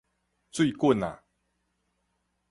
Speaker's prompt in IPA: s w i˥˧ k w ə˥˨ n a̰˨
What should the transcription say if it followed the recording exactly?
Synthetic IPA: t͡s w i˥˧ k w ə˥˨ n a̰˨